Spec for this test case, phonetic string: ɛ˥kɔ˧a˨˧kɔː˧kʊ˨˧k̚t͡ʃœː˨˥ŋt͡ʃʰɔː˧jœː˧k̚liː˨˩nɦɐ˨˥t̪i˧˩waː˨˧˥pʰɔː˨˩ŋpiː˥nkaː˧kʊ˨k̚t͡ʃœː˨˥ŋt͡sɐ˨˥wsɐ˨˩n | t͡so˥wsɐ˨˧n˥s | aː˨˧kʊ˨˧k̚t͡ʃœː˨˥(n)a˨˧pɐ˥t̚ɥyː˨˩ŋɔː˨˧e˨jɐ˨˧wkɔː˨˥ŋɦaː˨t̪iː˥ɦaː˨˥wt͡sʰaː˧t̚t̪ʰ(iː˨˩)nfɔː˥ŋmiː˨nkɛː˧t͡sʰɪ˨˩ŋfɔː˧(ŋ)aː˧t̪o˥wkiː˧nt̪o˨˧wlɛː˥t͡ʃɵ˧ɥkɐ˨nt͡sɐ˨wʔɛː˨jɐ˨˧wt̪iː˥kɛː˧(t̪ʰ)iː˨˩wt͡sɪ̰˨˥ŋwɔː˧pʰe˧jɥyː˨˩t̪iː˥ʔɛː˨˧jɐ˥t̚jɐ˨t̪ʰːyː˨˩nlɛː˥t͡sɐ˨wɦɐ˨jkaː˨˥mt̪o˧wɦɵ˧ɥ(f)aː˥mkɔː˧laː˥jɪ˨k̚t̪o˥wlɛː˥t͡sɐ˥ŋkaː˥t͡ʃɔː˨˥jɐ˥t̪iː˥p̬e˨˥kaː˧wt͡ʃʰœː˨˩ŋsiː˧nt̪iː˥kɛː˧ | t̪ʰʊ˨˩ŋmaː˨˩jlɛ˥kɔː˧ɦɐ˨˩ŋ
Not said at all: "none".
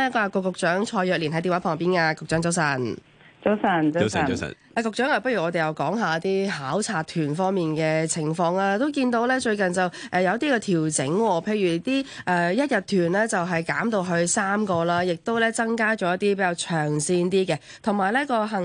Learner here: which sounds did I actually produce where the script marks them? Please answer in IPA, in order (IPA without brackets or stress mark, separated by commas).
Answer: ŋ, yː˨˩, ŋ, t̪ʰ, s